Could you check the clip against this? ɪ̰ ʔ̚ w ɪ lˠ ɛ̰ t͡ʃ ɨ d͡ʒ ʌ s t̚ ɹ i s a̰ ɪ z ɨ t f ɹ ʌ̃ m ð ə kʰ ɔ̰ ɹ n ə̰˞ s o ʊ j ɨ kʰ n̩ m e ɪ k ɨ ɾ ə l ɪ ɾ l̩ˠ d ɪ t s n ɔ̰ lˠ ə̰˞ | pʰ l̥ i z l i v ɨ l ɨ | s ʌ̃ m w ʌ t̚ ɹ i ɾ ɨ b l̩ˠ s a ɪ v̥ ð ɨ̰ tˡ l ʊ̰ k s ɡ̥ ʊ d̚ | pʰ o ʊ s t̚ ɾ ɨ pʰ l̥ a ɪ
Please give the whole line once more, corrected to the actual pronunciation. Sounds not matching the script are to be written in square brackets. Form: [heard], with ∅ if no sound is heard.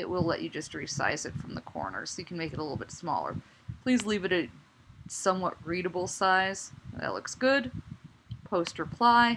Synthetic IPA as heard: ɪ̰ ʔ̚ w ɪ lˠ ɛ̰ t͡ʃ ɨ d͡ʒ ʌ s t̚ ɹ i s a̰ ɪ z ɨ t f ɹ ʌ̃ m ð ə kʰ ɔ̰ ɹ n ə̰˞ s o ʊ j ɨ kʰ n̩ m e ɪ k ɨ ɾ ə l ɪ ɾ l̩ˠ [b] ɪ t s [m] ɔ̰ lˠ ə̰˞ | pʰ l̥ i z l i v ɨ [ɾ] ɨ | s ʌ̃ m w ʌ t̚ ɹ i ɾ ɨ b l̩ˠ s a ɪ [z̥] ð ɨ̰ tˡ l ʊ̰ k s ɡ̥ ʊ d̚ | pʰ o ʊ s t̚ [ɹ] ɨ pʰ l̥ a ɪ